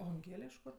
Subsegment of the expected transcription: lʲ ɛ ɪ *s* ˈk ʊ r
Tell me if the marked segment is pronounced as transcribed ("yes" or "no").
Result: no